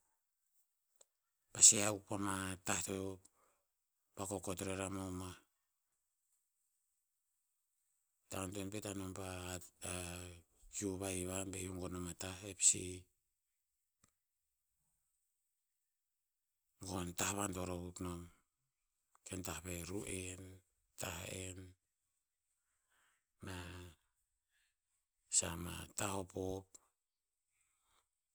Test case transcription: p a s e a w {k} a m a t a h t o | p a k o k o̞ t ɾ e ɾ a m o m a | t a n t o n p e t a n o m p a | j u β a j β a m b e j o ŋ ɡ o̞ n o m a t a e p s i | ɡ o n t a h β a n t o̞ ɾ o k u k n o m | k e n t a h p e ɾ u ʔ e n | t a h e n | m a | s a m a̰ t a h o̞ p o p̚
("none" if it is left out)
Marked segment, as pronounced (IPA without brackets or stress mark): p